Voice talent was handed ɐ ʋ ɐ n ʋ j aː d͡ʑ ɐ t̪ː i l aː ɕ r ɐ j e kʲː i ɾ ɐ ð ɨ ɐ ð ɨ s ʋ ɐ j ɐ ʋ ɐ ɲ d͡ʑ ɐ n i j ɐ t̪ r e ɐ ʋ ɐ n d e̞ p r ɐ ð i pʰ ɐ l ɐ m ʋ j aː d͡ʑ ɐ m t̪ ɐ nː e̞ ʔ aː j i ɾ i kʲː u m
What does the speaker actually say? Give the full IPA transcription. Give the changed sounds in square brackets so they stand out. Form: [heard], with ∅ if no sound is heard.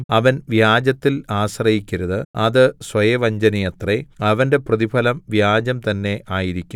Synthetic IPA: ɐ ʋ ɐ n ʋ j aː d͡ʑ ɐ t̪ː i l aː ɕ r ɐ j [i] kʲː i ɾ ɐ ð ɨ ɐ ð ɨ s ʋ ɐ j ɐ ʋ ɐ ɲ d͡ʑ ɐ n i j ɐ t̪ r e ɐ ʋ ɐ n d e̞ p r ɐ ð i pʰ ɐ l ɐ m ʋ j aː d͡ʑ ɐ m t̪ ɐ nː e̞ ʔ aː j i ɾ i kʲː u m